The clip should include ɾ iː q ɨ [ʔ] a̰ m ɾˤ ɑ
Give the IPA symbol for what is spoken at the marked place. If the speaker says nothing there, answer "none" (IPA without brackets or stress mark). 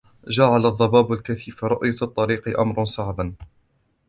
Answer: ʔ